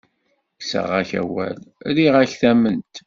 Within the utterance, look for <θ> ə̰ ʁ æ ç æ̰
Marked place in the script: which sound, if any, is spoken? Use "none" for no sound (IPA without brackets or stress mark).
s